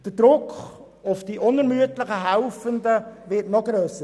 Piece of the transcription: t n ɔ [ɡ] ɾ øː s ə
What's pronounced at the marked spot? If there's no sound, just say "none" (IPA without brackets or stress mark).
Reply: ɡ